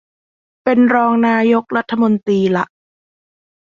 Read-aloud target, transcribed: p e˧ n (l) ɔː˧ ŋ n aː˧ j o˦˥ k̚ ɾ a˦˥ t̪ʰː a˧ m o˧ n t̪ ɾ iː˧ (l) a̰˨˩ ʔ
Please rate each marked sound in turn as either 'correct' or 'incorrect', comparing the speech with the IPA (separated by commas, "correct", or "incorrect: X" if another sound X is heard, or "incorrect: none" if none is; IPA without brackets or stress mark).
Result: incorrect: ɾ, correct